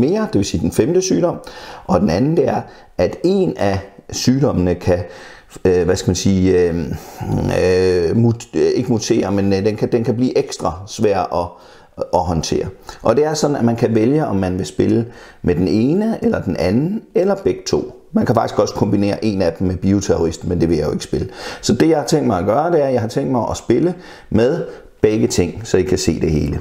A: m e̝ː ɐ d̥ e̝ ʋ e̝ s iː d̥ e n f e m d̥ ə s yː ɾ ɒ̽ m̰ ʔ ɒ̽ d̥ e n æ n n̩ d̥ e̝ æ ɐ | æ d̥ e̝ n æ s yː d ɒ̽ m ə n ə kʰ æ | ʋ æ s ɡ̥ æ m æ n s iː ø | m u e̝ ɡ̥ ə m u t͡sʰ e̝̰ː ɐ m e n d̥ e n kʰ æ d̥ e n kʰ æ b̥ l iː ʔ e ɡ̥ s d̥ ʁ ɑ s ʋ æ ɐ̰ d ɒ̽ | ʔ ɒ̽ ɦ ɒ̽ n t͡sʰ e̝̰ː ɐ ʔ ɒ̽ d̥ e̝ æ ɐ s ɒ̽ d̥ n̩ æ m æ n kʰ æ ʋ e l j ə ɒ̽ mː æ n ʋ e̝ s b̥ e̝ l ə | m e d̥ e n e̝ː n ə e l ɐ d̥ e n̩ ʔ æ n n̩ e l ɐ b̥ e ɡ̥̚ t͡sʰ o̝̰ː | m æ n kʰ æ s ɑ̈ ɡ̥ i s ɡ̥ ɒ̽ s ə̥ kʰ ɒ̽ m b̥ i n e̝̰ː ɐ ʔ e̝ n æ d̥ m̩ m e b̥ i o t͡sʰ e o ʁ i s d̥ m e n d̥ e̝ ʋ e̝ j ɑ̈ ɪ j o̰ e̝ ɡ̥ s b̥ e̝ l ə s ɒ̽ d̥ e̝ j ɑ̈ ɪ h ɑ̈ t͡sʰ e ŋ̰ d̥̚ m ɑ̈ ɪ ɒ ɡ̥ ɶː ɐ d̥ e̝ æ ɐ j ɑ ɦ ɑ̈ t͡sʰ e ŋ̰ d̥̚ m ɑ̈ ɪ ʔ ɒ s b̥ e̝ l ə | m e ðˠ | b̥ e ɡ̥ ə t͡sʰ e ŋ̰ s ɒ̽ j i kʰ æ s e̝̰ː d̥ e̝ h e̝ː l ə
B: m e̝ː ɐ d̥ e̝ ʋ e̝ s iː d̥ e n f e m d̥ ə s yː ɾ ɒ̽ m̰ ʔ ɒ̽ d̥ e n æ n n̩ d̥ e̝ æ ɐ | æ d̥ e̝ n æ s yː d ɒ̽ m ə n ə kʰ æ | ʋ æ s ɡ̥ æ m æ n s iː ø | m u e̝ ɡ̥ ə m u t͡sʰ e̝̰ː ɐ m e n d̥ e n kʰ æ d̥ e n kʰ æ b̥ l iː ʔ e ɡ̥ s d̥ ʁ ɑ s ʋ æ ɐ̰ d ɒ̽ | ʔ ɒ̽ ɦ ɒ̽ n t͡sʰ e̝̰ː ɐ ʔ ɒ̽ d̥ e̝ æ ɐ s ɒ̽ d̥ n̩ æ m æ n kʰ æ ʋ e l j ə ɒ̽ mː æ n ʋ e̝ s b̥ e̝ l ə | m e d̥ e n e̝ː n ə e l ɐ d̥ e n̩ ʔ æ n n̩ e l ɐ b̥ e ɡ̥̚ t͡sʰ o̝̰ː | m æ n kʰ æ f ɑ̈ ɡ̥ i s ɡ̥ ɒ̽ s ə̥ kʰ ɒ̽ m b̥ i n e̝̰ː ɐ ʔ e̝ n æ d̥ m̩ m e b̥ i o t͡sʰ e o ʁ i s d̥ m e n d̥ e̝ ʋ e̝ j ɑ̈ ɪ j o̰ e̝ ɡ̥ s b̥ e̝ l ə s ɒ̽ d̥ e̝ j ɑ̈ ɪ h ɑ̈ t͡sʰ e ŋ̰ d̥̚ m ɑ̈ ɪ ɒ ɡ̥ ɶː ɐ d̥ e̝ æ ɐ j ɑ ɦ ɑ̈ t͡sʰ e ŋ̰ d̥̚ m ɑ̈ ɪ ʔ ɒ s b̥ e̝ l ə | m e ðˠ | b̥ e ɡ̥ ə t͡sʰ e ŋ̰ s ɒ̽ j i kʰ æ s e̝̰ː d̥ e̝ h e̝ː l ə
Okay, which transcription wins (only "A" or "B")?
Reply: B